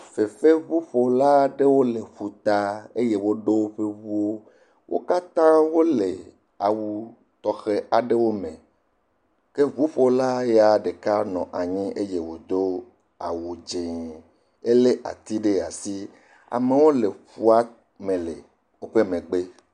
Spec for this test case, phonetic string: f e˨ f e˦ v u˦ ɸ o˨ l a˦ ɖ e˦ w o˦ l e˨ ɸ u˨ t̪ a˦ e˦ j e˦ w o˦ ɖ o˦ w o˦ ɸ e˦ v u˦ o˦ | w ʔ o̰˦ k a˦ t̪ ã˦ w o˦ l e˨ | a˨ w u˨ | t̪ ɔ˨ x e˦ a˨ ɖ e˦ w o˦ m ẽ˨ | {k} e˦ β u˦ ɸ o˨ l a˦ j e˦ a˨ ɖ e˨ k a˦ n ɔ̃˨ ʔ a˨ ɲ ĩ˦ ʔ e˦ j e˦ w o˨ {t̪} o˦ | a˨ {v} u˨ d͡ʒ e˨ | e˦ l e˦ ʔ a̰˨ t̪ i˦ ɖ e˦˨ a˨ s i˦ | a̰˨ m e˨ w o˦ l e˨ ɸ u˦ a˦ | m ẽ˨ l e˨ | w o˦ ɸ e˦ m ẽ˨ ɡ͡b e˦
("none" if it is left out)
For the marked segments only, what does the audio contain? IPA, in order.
k, d̪, w

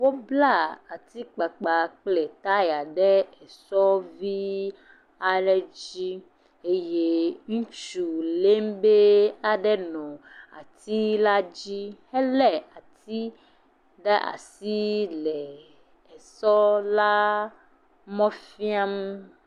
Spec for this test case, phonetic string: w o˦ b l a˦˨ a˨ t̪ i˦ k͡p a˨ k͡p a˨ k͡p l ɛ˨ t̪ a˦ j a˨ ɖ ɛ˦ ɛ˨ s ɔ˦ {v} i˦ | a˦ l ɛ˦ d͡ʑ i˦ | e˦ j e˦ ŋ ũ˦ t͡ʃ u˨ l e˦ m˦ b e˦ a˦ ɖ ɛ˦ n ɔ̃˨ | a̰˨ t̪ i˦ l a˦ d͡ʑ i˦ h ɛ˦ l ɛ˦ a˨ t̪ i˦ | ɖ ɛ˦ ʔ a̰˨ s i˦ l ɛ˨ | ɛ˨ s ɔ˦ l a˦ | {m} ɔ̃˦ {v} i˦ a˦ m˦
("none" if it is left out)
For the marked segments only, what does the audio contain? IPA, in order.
v, m, f

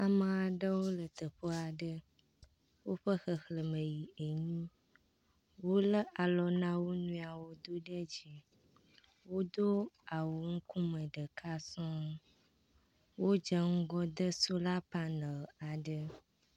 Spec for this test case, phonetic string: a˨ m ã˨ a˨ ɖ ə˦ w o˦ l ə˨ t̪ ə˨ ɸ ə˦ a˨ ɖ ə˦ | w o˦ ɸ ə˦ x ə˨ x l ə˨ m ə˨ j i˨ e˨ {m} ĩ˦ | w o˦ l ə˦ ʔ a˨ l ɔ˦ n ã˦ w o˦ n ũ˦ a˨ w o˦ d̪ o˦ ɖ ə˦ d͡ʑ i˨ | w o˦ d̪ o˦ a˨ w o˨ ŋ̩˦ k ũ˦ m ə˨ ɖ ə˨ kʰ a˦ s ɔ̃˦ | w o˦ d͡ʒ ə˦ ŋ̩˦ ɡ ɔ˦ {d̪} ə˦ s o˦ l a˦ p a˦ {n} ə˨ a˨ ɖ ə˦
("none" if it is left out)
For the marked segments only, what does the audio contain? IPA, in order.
ɲ, d̪, n

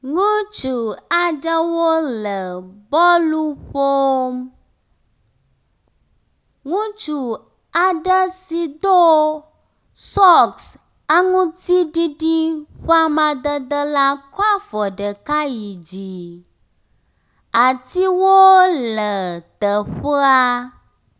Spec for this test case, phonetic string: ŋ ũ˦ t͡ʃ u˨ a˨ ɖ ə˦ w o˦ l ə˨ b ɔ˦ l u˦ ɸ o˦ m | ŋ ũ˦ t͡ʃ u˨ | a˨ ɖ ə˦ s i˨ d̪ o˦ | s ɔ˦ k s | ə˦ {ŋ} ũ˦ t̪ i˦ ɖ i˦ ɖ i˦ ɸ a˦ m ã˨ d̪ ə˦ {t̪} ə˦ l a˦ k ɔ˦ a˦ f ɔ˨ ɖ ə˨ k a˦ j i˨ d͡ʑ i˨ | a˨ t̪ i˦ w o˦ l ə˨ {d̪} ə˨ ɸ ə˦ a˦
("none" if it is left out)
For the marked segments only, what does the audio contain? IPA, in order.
ŋ, d̪, t̪

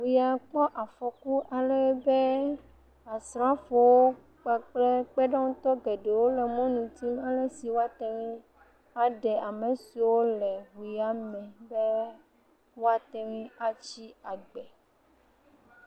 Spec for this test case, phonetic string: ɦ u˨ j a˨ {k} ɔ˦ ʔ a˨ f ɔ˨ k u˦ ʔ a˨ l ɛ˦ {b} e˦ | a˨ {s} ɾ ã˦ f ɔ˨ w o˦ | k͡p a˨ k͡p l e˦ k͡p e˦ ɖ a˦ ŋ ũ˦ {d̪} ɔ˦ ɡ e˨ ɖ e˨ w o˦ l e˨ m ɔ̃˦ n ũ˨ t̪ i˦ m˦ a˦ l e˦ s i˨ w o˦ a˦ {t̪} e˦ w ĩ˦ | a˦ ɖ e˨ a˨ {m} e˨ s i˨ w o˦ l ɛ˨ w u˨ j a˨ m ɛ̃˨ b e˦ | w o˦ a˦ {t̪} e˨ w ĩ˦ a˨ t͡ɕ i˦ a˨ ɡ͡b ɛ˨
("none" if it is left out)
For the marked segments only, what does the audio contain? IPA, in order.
k͡p, b, s, t̪, t̪, m, t̪

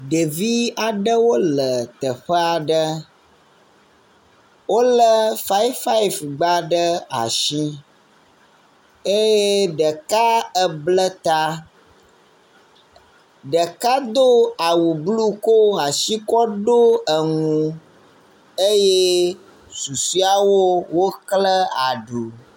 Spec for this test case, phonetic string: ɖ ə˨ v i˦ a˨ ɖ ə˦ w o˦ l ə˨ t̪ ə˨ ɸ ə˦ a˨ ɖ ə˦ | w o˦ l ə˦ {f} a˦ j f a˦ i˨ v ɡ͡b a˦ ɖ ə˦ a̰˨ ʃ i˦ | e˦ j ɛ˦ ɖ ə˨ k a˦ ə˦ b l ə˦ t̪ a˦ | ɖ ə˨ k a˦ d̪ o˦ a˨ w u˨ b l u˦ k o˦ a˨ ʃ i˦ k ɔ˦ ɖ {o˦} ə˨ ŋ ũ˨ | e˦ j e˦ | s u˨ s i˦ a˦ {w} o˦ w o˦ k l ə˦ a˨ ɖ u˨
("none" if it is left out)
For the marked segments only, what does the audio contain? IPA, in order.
f, o˦, w

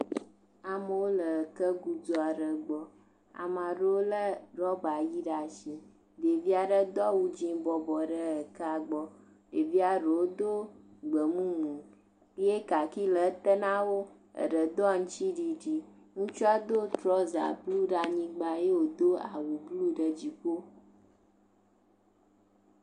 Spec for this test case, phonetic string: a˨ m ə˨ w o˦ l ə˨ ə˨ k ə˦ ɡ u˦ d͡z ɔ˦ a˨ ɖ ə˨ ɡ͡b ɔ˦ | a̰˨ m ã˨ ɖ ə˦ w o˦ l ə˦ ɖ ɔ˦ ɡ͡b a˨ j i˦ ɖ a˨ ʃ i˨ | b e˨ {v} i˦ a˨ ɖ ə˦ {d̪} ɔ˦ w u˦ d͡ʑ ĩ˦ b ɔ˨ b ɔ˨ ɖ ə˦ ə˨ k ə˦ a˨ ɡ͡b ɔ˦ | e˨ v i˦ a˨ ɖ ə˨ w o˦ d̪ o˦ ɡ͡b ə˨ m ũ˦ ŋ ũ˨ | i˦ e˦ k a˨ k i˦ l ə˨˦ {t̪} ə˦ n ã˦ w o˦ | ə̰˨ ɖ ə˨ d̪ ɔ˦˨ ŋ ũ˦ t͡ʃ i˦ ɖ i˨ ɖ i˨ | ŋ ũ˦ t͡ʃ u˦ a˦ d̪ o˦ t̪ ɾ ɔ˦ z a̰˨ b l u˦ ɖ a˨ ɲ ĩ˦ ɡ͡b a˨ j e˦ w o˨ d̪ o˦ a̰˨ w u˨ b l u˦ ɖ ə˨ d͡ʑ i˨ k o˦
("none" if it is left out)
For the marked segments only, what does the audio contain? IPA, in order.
v, d̪, t̪

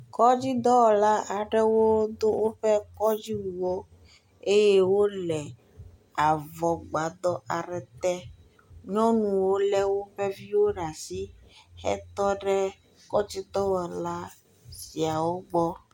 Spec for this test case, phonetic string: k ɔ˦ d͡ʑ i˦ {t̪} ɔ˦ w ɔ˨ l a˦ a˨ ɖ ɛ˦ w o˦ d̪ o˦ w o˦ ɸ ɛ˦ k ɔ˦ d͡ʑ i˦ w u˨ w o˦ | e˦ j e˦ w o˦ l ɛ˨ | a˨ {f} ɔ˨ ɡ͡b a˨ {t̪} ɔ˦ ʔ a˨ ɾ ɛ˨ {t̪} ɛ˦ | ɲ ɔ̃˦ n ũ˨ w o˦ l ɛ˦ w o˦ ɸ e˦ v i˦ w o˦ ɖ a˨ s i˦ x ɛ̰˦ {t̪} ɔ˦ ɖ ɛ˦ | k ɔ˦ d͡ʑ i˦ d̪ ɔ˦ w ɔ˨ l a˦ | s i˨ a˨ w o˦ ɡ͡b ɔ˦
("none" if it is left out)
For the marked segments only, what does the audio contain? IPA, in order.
d̪, v, d̪, t̪, t̪

